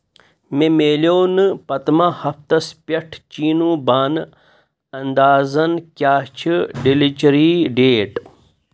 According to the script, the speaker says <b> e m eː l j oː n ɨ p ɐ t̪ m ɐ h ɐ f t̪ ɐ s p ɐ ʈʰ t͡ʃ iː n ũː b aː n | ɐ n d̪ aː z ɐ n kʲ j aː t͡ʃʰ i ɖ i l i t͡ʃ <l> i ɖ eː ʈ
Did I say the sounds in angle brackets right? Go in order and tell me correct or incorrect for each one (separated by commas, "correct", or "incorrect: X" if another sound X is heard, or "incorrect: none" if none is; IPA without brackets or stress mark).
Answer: incorrect: m, incorrect: ɾ